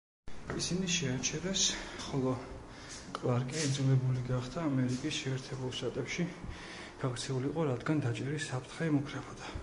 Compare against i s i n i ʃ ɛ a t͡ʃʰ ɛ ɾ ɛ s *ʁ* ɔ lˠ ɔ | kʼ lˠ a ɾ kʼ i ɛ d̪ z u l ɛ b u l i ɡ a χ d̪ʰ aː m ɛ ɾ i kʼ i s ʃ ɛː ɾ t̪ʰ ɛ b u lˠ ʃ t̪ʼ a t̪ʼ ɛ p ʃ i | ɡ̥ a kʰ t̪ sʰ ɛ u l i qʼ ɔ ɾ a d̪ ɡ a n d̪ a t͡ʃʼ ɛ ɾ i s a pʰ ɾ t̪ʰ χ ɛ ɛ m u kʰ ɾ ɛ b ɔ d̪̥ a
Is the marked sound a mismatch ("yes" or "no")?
yes